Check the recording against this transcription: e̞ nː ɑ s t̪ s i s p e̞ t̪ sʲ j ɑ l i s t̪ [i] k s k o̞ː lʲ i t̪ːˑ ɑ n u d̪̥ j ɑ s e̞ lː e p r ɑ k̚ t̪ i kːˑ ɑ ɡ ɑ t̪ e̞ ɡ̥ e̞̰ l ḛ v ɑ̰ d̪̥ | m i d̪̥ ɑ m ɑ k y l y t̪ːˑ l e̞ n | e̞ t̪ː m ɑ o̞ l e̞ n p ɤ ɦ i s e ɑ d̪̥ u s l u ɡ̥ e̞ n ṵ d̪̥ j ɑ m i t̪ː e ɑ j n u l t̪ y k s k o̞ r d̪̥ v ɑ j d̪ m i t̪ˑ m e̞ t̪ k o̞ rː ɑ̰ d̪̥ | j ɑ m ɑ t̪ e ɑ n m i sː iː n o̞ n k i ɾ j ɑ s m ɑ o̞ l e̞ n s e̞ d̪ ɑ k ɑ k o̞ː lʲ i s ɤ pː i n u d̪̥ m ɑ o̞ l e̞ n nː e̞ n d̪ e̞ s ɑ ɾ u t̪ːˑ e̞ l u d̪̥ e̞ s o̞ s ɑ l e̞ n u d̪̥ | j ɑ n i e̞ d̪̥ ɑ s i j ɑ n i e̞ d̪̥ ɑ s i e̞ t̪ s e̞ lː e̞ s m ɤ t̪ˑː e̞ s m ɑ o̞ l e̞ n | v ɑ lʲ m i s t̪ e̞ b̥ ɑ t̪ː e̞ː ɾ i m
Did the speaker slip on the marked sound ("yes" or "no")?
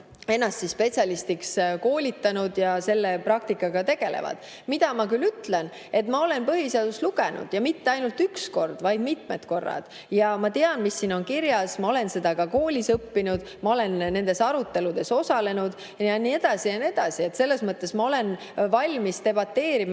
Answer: no